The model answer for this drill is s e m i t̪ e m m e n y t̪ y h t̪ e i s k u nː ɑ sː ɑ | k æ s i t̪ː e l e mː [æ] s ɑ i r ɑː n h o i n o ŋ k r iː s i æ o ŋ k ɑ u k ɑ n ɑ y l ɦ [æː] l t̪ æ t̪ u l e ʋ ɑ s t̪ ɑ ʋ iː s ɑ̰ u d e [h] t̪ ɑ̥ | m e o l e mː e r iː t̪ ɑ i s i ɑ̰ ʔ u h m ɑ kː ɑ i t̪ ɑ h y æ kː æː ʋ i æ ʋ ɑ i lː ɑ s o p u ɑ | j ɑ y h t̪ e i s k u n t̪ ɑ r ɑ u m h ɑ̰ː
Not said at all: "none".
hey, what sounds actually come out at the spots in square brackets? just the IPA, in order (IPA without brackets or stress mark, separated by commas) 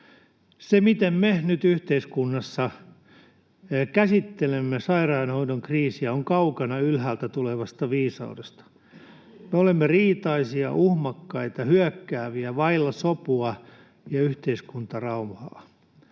e, æː, s